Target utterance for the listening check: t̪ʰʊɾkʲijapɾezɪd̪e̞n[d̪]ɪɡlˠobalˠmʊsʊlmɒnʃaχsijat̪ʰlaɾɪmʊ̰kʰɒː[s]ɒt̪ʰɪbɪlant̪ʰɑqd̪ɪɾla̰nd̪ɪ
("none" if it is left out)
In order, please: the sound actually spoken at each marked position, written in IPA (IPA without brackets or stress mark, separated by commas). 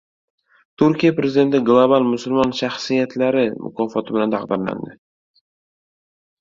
t̪, f